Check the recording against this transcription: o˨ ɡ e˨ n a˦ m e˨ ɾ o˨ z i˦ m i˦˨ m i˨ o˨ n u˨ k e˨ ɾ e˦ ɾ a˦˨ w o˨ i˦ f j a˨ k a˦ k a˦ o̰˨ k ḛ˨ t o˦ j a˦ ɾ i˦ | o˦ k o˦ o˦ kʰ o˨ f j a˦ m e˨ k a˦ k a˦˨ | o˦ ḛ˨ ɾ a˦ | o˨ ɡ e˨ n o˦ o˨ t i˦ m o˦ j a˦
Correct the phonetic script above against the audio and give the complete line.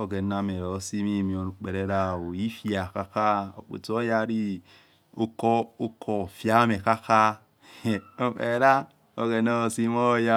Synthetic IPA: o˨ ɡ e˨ n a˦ m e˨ ɾ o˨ s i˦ m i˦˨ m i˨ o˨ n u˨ k͡p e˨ ɾ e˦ ɾ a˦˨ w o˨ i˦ f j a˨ k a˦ k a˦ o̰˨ k͡p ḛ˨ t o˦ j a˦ ɾ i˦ | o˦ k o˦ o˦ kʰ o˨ f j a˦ m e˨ k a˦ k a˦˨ | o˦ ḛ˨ ɾ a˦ | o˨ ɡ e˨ n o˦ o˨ s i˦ m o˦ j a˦